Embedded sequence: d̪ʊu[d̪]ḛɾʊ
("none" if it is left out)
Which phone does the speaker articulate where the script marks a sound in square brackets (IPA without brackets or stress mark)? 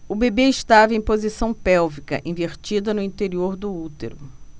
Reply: t̪